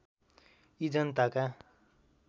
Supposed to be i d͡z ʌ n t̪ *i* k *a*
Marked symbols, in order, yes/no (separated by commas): no, yes